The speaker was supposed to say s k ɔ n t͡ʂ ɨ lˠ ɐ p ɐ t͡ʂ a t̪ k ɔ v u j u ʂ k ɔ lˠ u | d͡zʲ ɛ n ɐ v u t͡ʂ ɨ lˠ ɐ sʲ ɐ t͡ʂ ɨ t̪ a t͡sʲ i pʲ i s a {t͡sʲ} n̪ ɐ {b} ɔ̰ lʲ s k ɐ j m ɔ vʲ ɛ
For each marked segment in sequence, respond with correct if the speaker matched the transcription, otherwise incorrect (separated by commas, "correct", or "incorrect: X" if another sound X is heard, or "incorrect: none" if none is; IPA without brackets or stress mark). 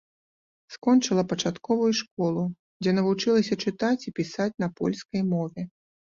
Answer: correct, incorrect: p